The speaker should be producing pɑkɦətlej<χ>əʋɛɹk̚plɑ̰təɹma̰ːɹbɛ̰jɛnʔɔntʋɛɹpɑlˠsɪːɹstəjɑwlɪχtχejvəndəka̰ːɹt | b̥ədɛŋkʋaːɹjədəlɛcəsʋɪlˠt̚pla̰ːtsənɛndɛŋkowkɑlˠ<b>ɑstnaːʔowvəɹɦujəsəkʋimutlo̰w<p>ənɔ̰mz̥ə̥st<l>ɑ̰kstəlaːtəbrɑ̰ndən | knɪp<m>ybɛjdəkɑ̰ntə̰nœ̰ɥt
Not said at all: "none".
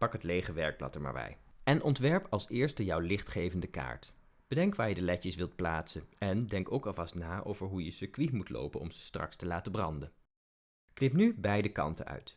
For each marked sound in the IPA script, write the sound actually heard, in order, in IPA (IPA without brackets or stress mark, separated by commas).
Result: χ, v, p, r, n